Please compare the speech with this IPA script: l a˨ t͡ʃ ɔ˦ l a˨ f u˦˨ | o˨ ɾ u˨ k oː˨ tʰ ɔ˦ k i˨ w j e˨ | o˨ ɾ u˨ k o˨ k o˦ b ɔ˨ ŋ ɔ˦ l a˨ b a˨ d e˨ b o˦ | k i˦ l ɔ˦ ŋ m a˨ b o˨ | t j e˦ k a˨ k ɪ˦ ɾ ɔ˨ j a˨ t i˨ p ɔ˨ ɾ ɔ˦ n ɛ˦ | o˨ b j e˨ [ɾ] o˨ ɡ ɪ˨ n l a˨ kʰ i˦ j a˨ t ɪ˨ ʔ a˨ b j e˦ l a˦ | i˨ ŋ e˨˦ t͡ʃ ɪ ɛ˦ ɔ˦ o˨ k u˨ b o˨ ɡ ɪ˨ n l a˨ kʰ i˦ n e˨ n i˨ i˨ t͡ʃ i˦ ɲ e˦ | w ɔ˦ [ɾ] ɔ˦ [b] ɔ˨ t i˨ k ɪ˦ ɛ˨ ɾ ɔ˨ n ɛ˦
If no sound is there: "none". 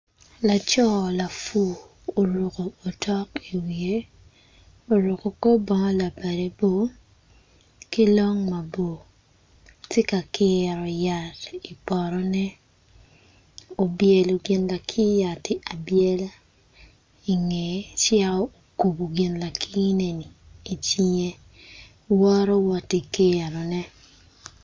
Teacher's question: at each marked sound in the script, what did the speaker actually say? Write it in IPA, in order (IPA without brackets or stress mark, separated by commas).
l, ɾ, w